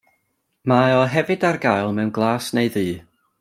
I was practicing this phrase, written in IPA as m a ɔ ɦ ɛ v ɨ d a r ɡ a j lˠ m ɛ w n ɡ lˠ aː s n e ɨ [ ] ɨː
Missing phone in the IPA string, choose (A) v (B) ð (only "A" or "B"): B